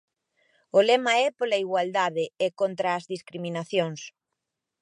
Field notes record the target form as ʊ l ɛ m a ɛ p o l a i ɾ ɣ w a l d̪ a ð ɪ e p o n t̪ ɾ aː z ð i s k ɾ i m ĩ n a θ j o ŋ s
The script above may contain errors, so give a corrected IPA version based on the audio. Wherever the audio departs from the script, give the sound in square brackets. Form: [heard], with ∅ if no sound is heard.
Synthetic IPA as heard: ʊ l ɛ m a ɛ p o l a i [∅] ɣ w a l d̪ a ð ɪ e [k] o n t̪ ɾ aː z ð i s k ɾ i m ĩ n a θ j o ŋ s